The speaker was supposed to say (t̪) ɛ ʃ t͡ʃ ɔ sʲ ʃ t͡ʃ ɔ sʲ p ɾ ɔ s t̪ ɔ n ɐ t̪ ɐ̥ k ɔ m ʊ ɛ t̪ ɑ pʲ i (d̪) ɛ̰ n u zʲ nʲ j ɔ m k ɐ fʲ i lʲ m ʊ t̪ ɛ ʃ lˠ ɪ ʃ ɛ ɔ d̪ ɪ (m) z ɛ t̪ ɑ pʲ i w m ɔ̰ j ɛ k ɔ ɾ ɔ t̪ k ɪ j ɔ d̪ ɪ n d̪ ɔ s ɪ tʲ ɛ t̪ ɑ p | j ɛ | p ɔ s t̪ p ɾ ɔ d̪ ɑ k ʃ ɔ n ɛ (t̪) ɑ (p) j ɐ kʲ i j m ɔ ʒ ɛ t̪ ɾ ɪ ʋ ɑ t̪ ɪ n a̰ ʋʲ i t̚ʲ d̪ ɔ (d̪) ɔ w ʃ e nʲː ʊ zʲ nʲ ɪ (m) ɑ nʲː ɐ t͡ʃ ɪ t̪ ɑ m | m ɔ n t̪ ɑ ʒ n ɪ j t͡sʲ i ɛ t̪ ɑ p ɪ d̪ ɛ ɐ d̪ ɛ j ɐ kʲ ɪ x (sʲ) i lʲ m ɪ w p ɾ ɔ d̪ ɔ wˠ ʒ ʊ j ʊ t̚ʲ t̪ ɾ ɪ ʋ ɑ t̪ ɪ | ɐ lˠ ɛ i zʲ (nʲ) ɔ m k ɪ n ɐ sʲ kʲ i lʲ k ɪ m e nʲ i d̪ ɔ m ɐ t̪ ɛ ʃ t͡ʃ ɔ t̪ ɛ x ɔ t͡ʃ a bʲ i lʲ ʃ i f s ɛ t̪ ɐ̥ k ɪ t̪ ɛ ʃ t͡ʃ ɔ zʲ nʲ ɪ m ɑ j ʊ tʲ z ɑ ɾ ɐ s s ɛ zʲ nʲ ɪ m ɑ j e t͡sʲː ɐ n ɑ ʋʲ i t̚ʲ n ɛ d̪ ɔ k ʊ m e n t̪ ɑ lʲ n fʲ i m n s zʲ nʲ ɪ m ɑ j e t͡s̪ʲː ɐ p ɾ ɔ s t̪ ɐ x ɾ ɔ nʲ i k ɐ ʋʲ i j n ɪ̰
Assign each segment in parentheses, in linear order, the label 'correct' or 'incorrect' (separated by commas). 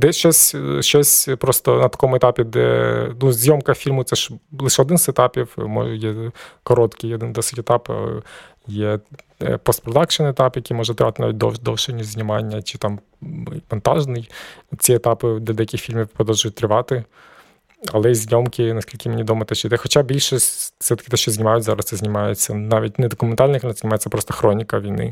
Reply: incorrect, correct, incorrect, correct, correct, correct, correct, incorrect, correct